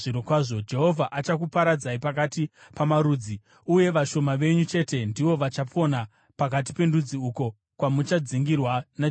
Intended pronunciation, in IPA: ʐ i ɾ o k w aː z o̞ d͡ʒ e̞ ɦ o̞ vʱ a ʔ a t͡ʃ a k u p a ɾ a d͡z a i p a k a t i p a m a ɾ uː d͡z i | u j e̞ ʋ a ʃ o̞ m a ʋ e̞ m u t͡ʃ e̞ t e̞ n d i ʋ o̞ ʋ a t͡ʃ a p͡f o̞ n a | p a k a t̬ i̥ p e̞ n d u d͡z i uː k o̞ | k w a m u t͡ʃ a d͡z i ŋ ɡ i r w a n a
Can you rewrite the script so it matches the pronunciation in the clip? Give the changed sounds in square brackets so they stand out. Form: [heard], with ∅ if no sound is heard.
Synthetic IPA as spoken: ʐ i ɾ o k w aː [ʐ] o̞ d͡ʒ e̞ ɦ o̞ vʱ a ʔ a t͡ʃ a k u p a ɾ a d͡z a i p a k a t i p a m a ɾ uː d͡z i | u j e̞ ʋ a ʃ o̞ m a ʋ e̞ [ɲ] u t͡ʃ e̞ t e̞ n d i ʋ o̞ ʋ a t͡ʃ a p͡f o̞ n a | p a k a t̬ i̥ p e̞ n d u d͡z i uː k o̞ | k w a m u t͡ʃ a d͡z i ŋ ɡ i r w a n a